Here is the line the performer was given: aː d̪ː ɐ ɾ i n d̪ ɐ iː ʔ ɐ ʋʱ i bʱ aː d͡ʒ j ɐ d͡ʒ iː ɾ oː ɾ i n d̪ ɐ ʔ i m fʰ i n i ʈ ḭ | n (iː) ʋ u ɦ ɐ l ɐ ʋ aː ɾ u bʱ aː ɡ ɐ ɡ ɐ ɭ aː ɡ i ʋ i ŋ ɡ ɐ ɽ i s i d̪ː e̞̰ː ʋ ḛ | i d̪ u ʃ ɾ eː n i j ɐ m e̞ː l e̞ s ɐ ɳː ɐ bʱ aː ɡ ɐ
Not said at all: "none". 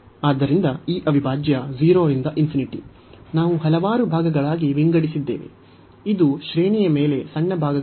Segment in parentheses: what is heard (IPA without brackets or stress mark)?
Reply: aː